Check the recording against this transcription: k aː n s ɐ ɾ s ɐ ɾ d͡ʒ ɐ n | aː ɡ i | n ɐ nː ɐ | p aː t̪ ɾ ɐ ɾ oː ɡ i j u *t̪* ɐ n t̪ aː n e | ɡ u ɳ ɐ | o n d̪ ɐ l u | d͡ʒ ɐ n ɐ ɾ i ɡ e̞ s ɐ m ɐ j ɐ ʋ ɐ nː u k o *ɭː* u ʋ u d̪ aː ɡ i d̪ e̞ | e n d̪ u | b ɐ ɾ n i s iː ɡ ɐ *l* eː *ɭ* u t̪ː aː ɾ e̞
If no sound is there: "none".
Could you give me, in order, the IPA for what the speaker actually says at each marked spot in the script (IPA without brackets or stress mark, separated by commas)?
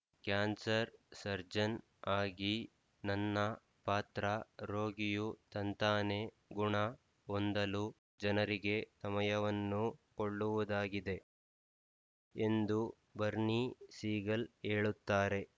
t̪, ɭː, l, ɭ